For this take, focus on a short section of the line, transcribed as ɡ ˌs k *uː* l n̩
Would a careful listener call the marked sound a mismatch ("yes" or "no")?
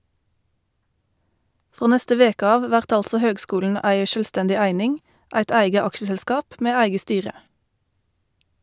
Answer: no